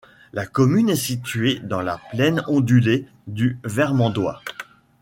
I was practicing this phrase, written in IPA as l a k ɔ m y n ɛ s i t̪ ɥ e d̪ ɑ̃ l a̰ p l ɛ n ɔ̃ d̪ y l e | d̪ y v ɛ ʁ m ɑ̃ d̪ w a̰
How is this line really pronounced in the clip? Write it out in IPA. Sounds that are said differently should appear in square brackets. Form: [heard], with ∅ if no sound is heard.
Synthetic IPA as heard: l a k ɔ m y n ɛ s i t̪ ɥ e d̪ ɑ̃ l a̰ p l ɛ n ɔ̃ d̪ y l e | d̪ y v ɛ ʁ m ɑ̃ d̪ w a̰